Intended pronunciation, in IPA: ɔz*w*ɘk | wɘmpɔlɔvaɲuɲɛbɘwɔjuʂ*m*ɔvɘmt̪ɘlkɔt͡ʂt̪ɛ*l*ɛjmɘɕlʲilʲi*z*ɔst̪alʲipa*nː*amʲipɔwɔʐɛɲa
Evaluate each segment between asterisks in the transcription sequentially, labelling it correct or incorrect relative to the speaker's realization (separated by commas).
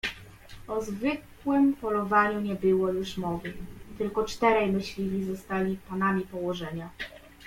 incorrect, correct, incorrect, correct, incorrect